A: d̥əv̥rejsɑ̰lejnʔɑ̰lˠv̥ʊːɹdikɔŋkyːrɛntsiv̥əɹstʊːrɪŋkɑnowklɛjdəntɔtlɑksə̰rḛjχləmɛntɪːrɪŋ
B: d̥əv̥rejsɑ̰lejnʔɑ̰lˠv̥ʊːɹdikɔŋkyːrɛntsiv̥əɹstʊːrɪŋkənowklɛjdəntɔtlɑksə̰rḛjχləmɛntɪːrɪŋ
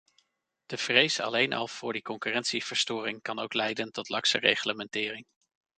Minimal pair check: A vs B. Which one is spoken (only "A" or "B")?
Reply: A